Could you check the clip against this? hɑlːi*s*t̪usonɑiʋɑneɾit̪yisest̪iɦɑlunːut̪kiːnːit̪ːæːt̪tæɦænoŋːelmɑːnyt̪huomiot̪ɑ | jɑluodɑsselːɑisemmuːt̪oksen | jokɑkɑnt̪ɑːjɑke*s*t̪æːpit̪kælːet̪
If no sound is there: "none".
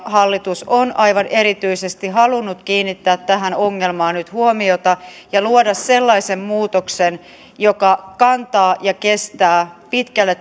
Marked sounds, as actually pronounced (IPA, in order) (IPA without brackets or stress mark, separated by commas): none, s